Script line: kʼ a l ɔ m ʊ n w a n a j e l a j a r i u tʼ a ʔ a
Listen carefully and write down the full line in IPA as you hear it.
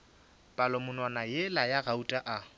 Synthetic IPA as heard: pʼ a l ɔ m ʊ n w a n a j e l a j a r a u tʼ a ʔ a